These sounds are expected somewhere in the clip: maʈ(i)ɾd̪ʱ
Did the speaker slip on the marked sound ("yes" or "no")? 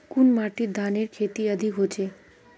no